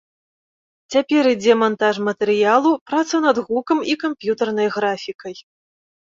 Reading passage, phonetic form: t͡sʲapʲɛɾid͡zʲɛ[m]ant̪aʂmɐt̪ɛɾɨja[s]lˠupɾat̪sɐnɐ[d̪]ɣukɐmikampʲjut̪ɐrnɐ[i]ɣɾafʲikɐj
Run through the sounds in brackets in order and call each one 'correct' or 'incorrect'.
correct, incorrect: none, correct, incorrect: j

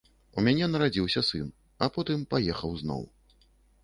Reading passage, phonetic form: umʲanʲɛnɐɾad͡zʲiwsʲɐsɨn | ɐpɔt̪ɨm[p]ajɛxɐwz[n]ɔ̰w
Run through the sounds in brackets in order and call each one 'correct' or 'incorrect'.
correct, correct

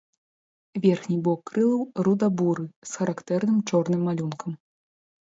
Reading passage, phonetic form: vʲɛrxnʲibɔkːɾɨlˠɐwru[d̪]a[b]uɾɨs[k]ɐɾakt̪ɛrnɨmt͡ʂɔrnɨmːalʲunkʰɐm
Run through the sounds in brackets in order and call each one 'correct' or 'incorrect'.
correct, correct, incorrect: x

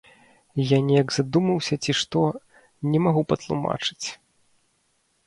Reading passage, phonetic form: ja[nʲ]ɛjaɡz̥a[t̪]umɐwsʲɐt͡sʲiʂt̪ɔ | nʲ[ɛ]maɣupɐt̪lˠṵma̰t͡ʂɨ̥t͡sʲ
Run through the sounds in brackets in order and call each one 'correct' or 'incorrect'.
correct, incorrect: d̪, correct

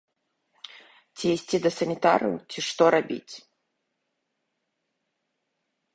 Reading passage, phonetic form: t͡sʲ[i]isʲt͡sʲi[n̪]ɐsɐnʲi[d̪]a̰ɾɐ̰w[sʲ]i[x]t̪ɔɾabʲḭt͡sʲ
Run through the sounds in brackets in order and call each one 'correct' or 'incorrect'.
correct, incorrect: d̪, incorrect: t̪, incorrect: t͡sʲ, incorrect: ʂ

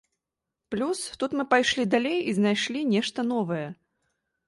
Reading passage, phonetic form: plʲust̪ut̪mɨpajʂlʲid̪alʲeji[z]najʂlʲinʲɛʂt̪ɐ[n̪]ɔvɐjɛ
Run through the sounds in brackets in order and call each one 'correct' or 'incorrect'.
correct, correct

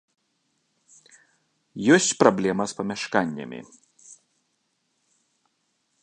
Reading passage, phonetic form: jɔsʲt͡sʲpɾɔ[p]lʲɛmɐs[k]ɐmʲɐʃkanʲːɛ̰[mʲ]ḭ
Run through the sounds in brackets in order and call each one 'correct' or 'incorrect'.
incorrect: b, incorrect: p, correct

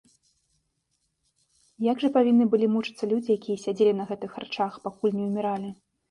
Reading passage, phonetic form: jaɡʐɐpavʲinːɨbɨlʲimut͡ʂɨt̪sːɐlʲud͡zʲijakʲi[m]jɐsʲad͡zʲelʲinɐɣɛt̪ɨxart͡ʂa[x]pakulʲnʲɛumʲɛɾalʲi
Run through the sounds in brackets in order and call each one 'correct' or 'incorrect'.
incorrect: none, correct

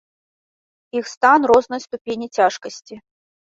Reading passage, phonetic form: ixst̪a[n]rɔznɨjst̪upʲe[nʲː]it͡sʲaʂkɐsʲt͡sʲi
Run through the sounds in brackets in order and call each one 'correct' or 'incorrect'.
correct, incorrect: nʲ

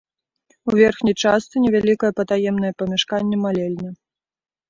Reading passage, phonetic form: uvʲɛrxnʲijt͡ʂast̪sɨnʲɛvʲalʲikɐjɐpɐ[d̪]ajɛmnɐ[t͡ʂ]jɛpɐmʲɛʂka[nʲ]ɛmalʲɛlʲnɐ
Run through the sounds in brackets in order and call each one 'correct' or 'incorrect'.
incorrect: t̪, incorrect: none, incorrect: nʲː

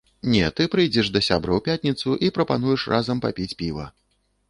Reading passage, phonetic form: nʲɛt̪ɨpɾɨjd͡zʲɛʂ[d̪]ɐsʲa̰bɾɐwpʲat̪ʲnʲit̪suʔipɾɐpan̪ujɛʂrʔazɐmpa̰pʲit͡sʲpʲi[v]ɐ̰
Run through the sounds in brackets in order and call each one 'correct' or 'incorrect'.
correct, correct

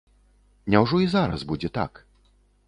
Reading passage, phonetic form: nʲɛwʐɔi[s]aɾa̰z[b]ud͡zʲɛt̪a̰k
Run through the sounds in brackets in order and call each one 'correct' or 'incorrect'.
incorrect: z, correct

